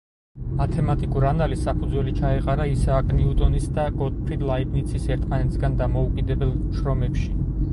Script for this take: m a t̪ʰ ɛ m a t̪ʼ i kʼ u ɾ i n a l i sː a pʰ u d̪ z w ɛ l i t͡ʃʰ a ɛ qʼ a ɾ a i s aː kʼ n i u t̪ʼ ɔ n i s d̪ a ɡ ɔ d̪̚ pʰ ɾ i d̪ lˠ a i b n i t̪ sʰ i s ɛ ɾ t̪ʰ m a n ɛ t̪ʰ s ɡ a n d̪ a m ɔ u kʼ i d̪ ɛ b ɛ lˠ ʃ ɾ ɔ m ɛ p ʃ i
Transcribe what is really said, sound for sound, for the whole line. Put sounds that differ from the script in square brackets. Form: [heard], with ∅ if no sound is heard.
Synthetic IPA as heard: m a t̪ʰ ɛ m a t̪ʼ i kʼ u ɾ [a] n a l i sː a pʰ u d̪ z w ɛ l i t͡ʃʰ a ɛ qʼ a ɾ a i s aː kʼ n i u t̪ʼ ɔ n i s d̪ a ɡ ɔ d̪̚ pʰ ɾ i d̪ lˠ a i b n i t̪ sʰ i s ɛ ɾ t̪ʰ m a n ɛ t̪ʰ s ɡ a n d̪ a m ɔ u kʼ i d̪ ɛ b ɛ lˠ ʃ ɾ ɔ m ɛ p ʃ i